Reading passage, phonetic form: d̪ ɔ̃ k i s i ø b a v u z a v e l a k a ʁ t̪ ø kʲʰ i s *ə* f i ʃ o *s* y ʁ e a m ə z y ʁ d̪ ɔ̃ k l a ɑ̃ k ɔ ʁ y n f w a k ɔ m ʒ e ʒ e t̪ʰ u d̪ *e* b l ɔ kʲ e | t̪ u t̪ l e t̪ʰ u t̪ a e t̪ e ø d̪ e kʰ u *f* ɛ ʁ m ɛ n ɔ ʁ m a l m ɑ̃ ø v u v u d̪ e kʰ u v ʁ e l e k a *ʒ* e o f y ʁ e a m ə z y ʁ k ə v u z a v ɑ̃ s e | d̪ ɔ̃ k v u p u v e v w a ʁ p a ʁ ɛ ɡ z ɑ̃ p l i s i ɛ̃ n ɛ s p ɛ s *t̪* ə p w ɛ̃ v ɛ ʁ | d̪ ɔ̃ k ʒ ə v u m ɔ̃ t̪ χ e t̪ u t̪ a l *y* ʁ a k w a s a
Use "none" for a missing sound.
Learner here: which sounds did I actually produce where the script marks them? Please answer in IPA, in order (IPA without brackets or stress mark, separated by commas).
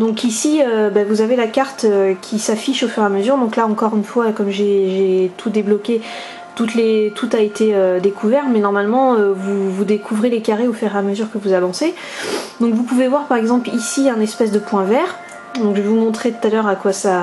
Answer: a, f, e, v, ʁ, d̪, œ